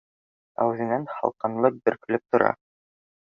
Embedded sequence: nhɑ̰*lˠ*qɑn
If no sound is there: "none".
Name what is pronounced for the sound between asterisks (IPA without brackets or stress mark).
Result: lˠ